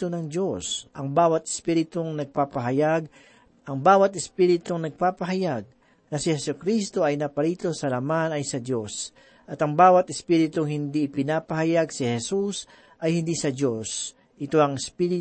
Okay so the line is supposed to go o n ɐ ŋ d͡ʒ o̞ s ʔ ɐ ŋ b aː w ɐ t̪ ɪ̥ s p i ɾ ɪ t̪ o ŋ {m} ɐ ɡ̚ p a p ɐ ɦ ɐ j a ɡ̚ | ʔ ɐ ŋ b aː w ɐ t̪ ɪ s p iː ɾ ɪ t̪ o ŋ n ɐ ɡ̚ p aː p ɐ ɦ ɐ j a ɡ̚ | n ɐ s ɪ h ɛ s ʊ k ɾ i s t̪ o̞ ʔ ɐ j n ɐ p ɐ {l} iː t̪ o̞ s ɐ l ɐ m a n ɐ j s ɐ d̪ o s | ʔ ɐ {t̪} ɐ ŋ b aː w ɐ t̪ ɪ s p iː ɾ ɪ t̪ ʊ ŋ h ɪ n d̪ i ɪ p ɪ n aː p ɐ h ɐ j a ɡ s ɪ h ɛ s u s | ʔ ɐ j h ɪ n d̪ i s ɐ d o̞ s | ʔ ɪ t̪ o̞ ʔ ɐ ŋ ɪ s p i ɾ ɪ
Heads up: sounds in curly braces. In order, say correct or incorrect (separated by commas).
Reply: incorrect, incorrect, correct